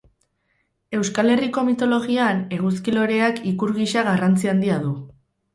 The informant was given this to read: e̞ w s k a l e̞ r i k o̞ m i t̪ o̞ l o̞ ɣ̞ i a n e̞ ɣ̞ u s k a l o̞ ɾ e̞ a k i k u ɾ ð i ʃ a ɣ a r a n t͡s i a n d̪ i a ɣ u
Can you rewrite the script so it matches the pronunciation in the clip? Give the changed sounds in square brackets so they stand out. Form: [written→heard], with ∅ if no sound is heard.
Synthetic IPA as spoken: e̞ w s k a l e̞ r i k o̞ m i t̪ o̞ l o̞ ɣ̞ i a n e̞ ɣ̞ u s k [a→i] l o̞ ɾ e̞ a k i k u ɾ [ð→ɣ] i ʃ a ɣ a r a n t͡s i a n d̪ i a [ɣ→ð] u